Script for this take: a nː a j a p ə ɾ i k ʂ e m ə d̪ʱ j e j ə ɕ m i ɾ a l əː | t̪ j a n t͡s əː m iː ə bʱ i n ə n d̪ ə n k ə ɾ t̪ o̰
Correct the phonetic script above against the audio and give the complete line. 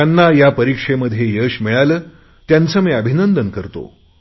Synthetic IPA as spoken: a nː a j a p ə ɾ i k ʂ e m ə d̪ʱ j e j ə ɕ m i ɭ a l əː | t̪ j a n t͡s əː m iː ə bʱ i n ə n d̪ ə n k ə ɾ t̪ o̰